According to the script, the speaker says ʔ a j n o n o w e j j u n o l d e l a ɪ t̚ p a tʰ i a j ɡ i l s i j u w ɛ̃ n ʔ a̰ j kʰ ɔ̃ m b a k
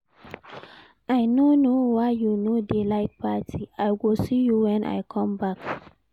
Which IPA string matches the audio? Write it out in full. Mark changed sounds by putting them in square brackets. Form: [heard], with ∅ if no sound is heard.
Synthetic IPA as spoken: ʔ a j n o n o w [a] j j u n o [∅] d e l a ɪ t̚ p a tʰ i a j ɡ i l s i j u w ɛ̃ n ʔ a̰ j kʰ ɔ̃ m b a k